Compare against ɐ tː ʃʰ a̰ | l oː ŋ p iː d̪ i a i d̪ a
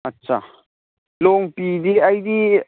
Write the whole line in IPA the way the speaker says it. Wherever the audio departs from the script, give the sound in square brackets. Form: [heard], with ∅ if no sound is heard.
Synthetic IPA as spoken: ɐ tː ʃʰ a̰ | l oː ŋ p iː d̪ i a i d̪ [i]